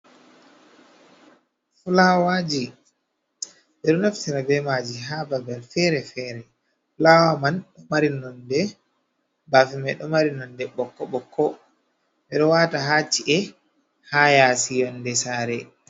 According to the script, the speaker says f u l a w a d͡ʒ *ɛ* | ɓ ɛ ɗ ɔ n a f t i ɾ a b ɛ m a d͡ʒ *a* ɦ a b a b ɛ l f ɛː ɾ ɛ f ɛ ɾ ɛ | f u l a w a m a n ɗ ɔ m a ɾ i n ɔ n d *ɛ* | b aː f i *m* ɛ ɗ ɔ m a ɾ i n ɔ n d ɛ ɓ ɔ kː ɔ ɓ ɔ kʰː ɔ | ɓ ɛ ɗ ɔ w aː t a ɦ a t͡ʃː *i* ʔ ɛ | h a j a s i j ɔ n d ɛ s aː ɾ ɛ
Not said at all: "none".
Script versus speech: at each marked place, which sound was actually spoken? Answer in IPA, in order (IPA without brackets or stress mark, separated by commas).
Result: i, i, ɛ, m, i